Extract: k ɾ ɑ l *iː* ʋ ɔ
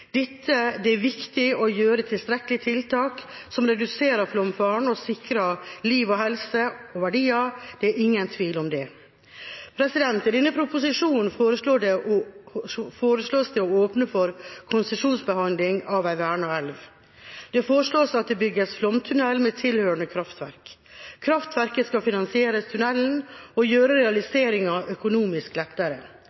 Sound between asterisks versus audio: correct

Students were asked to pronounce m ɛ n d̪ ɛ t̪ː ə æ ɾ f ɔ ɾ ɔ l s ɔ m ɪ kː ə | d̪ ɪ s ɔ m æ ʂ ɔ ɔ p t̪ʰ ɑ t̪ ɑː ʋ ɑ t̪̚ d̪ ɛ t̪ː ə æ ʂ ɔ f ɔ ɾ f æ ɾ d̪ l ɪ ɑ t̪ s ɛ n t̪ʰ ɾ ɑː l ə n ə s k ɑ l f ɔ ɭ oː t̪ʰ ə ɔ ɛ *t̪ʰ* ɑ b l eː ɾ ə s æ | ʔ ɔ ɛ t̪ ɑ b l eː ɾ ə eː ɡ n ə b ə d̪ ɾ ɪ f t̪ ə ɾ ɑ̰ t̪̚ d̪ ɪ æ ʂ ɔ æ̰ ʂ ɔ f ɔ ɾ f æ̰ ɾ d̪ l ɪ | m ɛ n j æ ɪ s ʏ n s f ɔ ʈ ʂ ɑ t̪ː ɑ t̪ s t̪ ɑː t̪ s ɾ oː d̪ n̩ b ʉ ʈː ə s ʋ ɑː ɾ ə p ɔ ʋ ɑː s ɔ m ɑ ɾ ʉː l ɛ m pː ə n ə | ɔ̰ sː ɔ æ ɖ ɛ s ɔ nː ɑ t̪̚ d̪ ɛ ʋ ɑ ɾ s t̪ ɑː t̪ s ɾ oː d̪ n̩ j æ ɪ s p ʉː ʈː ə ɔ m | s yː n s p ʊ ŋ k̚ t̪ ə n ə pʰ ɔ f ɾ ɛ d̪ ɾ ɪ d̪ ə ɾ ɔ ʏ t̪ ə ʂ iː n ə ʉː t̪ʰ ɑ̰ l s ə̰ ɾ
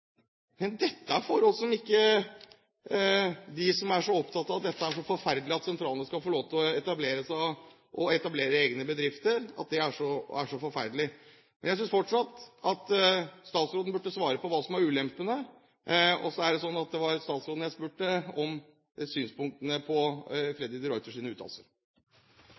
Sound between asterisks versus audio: incorrect: t̪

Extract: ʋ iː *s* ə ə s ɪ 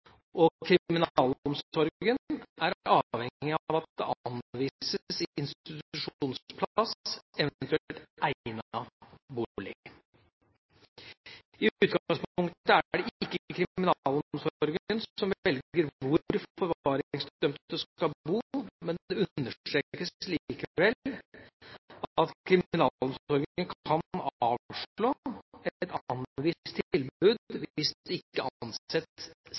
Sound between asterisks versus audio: correct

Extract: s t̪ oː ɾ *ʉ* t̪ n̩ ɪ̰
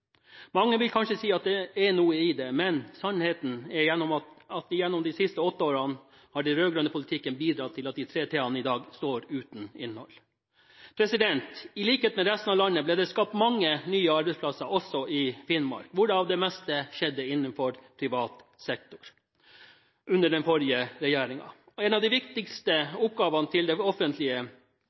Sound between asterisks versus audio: incorrect: ʉː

